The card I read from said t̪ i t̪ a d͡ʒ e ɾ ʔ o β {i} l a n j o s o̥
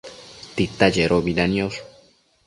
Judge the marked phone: correct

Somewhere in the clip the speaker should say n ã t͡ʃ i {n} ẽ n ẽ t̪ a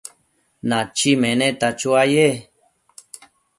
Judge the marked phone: incorrect: m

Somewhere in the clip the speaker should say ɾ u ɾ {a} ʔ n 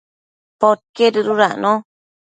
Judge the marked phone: correct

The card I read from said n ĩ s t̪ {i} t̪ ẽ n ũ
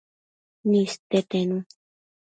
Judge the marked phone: incorrect: e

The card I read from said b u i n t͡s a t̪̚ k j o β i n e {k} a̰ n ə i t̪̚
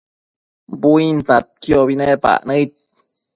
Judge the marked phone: incorrect: p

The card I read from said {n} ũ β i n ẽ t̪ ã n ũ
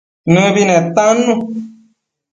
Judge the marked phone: correct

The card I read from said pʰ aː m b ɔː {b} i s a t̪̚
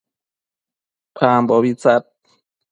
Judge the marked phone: incorrect: w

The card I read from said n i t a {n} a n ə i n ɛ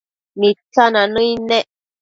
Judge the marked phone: correct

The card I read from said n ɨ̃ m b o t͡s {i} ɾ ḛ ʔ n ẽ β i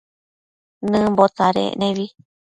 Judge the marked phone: incorrect: a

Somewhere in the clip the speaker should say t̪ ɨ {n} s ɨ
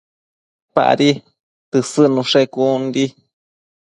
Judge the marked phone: incorrect: none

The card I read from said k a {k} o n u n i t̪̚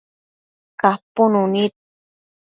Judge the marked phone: incorrect: p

